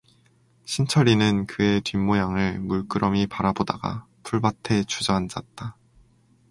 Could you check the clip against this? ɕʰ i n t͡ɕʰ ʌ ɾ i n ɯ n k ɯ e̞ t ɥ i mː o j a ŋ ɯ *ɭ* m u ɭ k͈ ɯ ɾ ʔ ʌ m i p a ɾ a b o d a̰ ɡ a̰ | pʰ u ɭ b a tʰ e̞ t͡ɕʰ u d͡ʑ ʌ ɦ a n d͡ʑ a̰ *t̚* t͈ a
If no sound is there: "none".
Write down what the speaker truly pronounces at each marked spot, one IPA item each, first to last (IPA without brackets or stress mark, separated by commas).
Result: ɭ, t̚